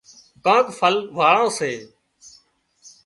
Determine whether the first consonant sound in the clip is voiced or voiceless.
voiceless